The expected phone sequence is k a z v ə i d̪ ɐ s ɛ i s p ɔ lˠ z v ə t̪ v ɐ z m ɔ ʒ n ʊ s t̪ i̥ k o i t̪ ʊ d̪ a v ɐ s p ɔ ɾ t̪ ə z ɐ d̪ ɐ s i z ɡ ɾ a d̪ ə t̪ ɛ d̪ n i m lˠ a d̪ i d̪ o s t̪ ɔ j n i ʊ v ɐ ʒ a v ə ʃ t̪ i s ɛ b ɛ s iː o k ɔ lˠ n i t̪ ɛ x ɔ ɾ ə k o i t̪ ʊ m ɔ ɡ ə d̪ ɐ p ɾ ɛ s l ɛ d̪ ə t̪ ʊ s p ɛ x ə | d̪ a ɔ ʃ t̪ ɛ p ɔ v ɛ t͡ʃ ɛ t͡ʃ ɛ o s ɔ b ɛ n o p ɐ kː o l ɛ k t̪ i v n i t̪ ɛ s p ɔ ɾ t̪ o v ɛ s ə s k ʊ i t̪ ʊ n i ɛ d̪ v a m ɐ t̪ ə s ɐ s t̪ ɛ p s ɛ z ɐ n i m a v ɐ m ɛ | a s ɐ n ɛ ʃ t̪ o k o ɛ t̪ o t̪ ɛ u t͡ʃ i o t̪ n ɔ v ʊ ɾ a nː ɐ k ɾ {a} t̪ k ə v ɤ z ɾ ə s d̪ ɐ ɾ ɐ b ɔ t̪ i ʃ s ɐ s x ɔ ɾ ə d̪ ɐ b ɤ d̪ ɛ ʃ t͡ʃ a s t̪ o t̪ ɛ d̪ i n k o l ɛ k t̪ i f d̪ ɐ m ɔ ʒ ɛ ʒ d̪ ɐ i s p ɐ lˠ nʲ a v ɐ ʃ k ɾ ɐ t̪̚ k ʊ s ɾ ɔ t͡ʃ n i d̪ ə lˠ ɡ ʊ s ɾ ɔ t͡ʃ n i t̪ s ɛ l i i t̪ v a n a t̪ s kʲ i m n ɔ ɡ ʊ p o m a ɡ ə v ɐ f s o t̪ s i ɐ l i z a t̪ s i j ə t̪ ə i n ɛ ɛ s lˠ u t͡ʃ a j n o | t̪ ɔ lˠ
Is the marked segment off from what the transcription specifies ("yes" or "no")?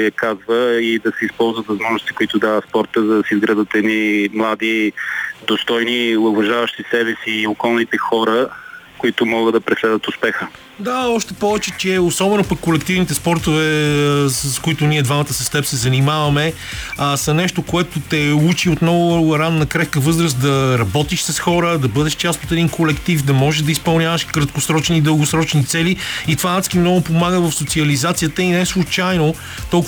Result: yes